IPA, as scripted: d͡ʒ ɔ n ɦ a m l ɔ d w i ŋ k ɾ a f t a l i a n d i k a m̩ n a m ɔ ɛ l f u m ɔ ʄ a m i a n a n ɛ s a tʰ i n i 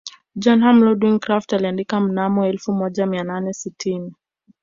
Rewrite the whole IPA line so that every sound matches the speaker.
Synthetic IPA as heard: d͡ʒ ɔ n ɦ a m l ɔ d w i ŋ k ɾ a f t a l i a n d i k a m̩ n a m ɔ ɛ l f u m ɔ ʄ a m i a n a n ɛ s i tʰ i n i